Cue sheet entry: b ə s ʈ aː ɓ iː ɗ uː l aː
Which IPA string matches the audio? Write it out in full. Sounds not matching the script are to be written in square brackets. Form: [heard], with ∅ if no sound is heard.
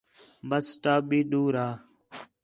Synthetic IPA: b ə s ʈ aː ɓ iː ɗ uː [ɾ] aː